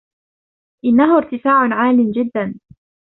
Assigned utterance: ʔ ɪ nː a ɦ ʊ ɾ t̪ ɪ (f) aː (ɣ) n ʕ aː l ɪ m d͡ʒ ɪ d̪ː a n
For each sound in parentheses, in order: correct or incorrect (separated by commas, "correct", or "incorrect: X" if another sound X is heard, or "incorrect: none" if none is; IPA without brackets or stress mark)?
correct, incorrect: ʕ